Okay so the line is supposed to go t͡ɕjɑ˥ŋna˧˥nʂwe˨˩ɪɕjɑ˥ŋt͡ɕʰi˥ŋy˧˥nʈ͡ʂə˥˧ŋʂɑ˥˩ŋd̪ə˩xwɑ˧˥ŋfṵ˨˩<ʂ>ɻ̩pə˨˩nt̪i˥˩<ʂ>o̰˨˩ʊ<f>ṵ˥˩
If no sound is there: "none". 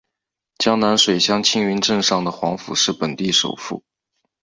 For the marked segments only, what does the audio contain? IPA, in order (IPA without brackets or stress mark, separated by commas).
ʂ, ʂ, f